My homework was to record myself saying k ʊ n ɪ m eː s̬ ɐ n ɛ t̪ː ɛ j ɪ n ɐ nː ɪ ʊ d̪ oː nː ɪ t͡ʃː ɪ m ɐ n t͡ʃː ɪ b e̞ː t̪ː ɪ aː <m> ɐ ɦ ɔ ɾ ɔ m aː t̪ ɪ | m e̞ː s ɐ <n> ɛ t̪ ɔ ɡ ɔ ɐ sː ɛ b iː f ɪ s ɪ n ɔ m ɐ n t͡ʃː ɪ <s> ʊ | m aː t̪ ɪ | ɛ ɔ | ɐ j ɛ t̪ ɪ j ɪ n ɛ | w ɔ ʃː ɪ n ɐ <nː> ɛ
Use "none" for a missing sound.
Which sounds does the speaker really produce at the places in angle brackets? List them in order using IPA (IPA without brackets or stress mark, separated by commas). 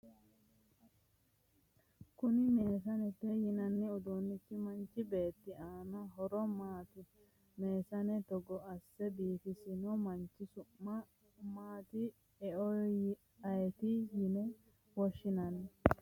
n, n, s, n